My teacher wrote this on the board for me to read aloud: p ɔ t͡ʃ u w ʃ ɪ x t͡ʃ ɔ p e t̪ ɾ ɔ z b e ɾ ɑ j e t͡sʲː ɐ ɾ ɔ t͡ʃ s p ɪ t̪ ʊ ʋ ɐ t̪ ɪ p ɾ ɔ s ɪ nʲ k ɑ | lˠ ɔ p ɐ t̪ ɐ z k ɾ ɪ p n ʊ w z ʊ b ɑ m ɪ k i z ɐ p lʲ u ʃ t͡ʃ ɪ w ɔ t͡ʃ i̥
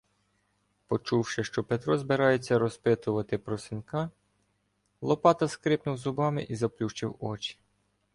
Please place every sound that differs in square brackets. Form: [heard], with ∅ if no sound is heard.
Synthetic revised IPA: p ɔ t͡ʃ u w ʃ ɪ [ʃ] t͡ʃ ɔ p e t̪ ɾ ɔ z b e ɾ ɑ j e t͡sʲː ɐ ɾ ɔ [∅] s p ɪ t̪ ʊ ʋ ɐ t̪ ɪ p ɾ ɔ s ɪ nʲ k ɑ | lˠ ɔ p [ɑ] t̪ ɐ [s] k ɾ ɪ p n ʊ w z ʊ b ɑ m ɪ [ʔ] i z ɐ p lʲ u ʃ t͡ʃ ɪ w ɔ t͡ʃ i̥